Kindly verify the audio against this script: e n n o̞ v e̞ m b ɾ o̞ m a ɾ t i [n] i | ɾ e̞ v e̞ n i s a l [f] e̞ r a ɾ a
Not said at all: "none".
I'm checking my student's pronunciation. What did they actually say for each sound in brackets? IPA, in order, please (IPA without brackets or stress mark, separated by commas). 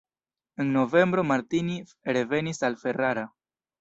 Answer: n, f